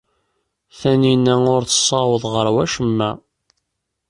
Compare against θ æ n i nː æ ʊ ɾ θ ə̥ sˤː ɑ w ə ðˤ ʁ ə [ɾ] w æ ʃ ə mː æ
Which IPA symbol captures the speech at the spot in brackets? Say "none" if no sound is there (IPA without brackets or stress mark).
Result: ɾ